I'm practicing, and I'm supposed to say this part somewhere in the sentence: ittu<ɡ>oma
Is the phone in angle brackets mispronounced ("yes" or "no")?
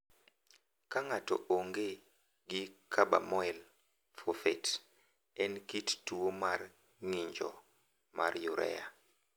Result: yes